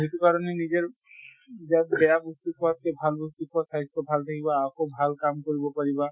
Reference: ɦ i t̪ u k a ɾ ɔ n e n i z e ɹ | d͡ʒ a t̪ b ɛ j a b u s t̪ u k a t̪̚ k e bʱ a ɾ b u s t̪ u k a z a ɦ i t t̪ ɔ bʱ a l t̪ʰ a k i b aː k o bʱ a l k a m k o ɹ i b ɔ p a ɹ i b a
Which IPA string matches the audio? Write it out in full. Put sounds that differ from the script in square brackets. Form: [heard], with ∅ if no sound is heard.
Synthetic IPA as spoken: ɦ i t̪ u k a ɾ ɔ n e n i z e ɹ | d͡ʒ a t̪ b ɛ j a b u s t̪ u k a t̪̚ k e bʱ a [l] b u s t̪ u k a [s] a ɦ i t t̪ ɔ bʱ a l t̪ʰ a k i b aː k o bʱ a l k a m k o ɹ i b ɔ p a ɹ i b a